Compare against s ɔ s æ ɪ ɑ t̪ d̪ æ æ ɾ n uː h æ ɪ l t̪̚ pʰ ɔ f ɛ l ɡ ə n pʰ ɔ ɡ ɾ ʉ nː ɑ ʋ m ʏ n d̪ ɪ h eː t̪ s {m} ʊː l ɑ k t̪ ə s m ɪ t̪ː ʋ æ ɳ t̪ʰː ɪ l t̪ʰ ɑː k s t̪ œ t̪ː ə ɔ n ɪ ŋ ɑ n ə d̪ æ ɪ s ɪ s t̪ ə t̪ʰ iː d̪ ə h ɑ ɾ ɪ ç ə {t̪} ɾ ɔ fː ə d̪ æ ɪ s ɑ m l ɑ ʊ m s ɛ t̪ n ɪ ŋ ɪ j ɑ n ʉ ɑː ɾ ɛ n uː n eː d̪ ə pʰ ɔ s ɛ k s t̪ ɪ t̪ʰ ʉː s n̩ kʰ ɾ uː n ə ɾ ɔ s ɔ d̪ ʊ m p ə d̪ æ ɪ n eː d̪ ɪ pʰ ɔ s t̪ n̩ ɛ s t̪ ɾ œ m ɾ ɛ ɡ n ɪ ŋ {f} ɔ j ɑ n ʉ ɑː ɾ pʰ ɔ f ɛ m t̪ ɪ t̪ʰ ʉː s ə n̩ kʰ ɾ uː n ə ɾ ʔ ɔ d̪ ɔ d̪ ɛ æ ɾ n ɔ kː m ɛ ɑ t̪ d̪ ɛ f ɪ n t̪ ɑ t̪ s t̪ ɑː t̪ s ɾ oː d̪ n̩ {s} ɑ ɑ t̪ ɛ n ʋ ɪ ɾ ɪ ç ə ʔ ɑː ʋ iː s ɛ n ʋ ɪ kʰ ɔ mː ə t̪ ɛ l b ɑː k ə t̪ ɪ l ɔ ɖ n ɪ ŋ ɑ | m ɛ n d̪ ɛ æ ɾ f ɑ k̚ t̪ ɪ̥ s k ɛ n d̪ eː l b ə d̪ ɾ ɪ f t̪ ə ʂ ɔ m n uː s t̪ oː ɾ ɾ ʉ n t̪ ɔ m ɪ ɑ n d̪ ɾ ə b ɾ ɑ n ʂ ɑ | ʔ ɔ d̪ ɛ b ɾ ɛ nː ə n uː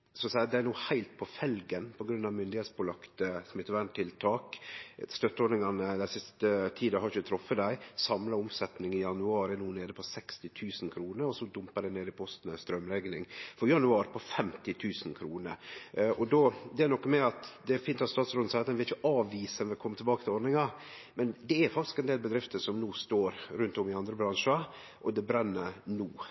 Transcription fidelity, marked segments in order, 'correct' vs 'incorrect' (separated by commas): incorrect, incorrect, correct, correct